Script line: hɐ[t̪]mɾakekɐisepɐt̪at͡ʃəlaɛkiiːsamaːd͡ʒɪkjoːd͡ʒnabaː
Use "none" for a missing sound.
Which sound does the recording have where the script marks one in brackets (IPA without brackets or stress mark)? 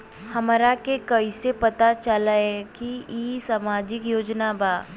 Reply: none